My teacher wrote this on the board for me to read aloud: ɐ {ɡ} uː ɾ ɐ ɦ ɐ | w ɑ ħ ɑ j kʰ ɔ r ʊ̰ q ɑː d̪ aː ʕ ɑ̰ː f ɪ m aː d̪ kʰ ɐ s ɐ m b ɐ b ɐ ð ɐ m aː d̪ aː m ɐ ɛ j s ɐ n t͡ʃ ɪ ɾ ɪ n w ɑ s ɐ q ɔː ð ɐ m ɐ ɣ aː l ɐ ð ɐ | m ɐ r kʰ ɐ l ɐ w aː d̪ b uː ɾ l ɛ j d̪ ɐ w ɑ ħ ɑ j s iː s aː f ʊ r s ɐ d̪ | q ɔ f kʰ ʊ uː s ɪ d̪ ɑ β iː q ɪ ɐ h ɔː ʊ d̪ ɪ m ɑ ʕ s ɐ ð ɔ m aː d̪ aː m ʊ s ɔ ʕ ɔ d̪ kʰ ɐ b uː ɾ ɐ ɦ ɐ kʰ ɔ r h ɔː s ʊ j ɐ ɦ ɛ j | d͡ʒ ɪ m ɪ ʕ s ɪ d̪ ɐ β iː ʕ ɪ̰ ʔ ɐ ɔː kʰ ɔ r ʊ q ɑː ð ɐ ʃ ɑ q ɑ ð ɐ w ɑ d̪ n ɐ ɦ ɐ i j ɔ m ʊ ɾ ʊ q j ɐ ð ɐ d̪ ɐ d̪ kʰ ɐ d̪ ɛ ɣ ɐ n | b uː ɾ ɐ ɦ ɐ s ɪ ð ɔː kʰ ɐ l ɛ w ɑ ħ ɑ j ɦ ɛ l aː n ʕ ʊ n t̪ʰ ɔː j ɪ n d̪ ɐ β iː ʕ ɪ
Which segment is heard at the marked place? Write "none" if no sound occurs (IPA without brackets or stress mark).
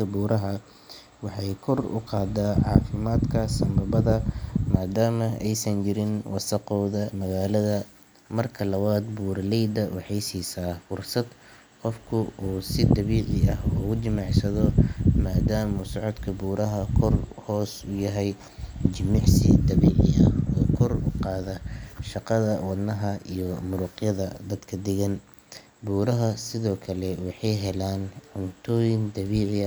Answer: b